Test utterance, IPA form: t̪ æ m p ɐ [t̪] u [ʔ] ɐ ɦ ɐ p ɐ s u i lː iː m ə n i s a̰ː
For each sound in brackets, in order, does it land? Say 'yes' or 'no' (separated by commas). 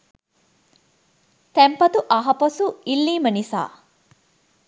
yes, yes